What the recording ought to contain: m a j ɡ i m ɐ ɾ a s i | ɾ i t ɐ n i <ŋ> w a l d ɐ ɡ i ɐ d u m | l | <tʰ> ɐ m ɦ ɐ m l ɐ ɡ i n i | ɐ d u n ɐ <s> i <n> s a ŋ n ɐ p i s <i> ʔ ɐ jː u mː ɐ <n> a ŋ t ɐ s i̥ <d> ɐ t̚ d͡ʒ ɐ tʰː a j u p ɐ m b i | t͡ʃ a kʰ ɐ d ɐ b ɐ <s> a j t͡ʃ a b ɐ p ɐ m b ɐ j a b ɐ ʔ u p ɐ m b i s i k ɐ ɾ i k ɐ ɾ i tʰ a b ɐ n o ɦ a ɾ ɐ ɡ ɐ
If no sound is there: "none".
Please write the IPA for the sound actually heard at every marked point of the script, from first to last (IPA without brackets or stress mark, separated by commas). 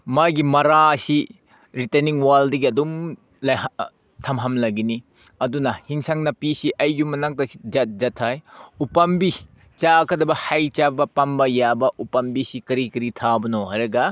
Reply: ŋ, tʰ, h, ŋ, i, n, d͡ʒ, h